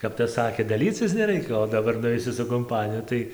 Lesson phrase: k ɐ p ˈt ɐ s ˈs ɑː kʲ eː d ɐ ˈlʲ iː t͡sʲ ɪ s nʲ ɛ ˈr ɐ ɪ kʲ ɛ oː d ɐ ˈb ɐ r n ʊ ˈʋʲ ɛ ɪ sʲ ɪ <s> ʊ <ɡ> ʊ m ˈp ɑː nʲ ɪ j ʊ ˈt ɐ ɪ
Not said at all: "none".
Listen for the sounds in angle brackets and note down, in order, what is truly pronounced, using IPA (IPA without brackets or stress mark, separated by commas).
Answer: s, k